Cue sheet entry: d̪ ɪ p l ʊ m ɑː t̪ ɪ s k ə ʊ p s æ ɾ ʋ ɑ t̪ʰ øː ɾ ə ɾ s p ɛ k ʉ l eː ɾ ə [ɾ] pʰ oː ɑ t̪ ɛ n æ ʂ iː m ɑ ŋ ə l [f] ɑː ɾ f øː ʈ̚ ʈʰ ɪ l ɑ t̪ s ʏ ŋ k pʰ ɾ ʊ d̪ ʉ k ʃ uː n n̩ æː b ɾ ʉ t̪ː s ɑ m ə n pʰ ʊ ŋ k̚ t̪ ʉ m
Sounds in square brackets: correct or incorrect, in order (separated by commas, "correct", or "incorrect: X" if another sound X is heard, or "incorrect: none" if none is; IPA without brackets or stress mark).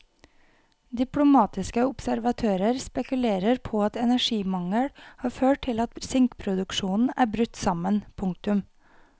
correct, incorrect: h